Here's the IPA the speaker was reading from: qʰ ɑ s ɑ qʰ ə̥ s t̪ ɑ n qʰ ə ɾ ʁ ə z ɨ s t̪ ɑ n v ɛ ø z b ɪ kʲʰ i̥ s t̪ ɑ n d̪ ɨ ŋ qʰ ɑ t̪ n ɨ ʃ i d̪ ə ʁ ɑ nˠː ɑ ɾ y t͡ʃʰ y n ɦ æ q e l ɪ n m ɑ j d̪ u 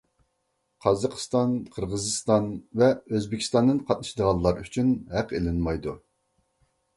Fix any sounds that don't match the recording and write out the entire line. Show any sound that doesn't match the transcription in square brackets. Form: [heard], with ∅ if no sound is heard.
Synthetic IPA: qʰ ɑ [z] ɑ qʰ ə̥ s t̪ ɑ n qʰ ə ɾ ʁ ə z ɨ s t̪ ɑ n v ɛ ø z b ɪ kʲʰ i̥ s t̪ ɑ n d̪ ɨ [n] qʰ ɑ t̪ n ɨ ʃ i d̪ ə ʁ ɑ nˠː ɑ ɾ y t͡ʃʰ y n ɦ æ q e l ɪ n m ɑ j d̪ u